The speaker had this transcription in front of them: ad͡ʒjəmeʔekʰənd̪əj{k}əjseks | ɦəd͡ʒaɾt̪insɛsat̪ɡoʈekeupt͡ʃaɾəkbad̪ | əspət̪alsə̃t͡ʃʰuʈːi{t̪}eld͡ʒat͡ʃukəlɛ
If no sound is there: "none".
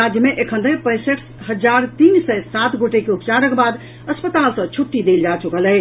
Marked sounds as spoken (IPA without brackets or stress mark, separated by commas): p, d̪